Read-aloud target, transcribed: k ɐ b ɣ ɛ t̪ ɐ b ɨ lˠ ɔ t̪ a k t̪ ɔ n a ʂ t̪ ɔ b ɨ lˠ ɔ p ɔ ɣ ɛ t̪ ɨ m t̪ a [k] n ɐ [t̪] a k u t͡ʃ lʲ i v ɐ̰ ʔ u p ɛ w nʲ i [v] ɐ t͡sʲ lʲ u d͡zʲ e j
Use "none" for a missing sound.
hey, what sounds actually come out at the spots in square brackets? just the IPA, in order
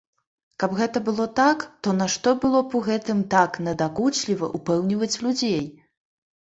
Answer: k, d̪, v

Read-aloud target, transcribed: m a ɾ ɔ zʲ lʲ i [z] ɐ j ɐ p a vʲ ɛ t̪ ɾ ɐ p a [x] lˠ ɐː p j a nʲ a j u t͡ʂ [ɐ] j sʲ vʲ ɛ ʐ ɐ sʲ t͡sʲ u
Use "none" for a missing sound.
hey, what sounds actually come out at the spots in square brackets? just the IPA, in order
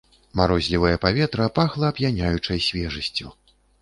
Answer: v, x, ɐ

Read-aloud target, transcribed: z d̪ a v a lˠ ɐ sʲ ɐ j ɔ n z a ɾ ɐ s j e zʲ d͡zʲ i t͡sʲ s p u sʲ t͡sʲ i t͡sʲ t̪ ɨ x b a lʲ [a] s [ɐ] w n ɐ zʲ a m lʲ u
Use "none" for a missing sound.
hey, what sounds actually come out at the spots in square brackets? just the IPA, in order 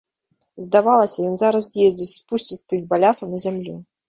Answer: a, ɐ

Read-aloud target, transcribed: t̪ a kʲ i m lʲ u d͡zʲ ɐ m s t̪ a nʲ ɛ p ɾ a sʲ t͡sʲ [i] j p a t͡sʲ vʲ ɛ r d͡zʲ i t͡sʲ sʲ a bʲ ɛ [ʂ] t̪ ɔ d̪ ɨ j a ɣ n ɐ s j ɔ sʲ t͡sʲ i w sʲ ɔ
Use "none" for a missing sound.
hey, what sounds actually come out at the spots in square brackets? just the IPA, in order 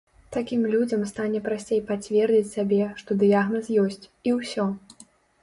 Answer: e, ʂ

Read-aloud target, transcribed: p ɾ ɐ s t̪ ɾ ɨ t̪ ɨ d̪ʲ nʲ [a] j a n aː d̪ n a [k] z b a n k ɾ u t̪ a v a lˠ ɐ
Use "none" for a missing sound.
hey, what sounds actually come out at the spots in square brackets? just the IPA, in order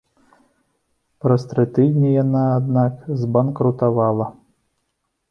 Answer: i, k

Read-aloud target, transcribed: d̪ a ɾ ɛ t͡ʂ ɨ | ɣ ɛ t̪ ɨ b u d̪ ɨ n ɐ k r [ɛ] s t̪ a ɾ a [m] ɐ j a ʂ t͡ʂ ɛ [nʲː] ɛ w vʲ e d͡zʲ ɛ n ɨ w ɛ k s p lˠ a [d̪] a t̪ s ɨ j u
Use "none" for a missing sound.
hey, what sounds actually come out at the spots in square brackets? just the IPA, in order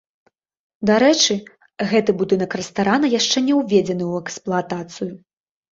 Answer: ɛ, n, nʲ, t̪

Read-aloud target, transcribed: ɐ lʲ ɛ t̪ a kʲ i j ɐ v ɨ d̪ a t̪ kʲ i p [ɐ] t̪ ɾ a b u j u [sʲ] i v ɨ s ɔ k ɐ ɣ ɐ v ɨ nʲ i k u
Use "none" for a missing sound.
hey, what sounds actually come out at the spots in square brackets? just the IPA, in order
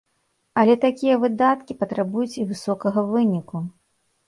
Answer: ɐ, t͡sʲ

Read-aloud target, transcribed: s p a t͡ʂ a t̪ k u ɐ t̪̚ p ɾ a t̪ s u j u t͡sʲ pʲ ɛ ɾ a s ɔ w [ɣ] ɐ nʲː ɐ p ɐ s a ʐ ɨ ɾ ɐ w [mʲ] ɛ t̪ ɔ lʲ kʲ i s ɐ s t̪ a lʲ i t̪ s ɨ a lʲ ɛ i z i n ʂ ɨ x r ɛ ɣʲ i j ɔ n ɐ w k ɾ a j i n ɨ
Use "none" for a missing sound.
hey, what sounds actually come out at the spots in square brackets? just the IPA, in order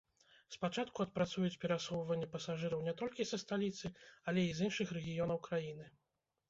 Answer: v, nʲ

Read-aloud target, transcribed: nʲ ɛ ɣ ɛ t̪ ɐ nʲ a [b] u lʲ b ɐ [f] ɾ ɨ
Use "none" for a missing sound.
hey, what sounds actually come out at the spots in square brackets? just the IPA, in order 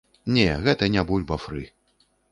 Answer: b, f

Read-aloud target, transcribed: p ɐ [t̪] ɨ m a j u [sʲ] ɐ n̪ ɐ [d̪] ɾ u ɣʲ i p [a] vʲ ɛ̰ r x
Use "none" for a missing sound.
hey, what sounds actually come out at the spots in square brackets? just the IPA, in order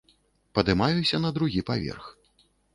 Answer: d̪, sʲ, d̪, a

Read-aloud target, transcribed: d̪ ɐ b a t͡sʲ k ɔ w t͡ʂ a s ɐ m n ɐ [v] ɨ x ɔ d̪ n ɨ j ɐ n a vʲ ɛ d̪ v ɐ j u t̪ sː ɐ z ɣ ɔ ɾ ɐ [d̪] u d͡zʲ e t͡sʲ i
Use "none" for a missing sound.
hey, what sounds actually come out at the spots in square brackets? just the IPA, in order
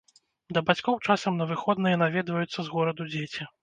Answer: v, d̪

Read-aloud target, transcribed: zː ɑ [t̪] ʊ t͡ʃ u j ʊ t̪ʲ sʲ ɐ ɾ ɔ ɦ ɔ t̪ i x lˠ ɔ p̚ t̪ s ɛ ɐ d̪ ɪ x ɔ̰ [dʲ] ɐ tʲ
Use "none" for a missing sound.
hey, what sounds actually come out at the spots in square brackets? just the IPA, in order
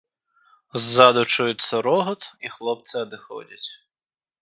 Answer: d̪, dʲ

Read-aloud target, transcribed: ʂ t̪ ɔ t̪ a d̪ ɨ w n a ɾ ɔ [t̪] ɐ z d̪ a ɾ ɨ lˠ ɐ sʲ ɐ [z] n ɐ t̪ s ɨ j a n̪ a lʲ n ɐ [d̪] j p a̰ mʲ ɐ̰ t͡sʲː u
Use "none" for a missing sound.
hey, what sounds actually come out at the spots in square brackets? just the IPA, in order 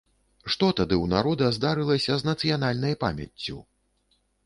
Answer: d̪, z, none

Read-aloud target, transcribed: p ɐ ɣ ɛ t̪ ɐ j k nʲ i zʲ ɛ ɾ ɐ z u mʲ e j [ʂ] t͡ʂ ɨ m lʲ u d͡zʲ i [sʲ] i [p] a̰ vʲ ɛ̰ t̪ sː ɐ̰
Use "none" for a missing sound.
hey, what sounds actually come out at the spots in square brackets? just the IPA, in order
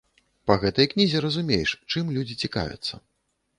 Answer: ʂ, t͡sʲ, k

